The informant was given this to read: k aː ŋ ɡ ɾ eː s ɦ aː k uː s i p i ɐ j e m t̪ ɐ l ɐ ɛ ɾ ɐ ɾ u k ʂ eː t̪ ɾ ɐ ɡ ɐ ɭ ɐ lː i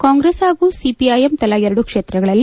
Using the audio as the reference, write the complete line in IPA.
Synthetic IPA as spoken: k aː ŋ ɡ ɾ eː s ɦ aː ɡ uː s i p i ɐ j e m t̪ ɐ l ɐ ɛ ɾ ɐ ɽ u k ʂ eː t̪ ɾ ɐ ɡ ɐ ɭ ɐ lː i